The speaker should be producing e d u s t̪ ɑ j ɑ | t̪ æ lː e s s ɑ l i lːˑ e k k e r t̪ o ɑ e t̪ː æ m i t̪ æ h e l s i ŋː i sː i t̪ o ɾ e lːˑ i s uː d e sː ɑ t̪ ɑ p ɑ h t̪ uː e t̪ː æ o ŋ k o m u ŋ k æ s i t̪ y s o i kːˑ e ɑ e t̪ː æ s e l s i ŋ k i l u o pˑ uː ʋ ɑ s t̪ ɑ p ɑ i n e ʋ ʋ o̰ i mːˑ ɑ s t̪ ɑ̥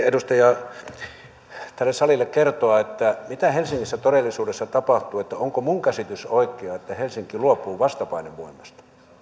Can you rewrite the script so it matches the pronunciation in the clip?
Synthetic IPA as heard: e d u s t̪ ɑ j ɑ | t̪ æ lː e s s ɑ l i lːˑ e k k e r t̪ o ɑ e t̪ː æ m i t̪ æ h e l s i ŋː i sː æ t̪ o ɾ e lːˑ i s uː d e sː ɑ t̪ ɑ p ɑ h t̪ uː e t̪ː æ o ŋ k o m u ŋ k æ s i t̪ y s o i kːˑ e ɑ e t̪ː æ h e l s i ŋ k i l u o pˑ uː ʋ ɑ s t̪ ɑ p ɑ i n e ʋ ʋ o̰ i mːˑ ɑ s t̪ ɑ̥